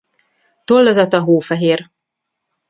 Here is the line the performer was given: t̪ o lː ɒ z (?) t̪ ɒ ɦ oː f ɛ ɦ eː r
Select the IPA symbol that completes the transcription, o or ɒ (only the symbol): ɒ